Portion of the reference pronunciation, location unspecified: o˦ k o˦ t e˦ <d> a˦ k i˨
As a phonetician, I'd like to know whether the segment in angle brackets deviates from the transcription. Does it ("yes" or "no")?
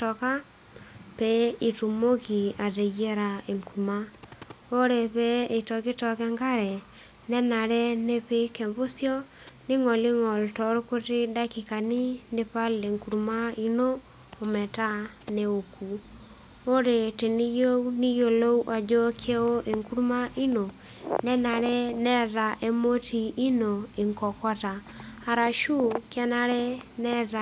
no